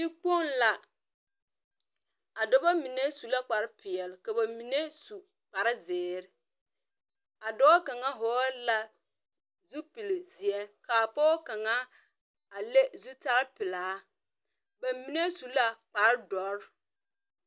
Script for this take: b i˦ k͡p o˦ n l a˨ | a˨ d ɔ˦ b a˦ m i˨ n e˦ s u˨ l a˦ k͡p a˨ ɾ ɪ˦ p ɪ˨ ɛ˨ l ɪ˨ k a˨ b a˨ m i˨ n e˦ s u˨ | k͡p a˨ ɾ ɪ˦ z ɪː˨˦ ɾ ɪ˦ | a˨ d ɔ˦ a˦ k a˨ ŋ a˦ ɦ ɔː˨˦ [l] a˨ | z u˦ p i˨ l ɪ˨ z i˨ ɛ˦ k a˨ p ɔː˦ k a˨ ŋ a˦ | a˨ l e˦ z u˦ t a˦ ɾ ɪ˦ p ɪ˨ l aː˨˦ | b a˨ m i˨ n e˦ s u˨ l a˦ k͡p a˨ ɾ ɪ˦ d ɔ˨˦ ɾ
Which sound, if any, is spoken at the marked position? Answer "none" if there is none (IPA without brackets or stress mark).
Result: l